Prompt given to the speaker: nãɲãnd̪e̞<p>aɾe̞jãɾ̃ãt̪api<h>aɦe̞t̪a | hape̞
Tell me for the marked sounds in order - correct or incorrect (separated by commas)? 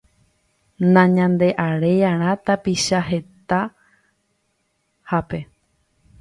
incorrect, incorrect